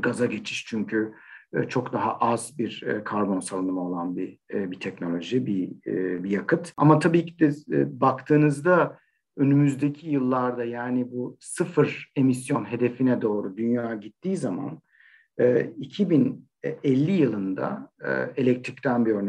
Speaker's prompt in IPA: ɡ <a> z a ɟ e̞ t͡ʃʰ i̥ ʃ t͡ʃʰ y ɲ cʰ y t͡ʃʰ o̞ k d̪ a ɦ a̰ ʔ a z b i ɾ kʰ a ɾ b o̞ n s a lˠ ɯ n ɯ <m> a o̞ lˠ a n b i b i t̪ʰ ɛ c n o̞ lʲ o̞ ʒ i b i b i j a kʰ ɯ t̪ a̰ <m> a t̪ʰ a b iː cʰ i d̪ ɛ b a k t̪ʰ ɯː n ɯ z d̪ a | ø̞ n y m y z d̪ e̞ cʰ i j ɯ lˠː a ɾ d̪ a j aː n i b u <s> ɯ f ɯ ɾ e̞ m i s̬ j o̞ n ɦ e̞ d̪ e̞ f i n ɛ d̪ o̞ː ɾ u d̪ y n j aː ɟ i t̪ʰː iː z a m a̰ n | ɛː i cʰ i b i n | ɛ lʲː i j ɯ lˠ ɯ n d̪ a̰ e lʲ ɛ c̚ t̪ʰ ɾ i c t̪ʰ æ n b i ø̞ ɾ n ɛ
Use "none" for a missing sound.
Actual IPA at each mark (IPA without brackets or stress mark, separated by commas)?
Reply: a, m, m, s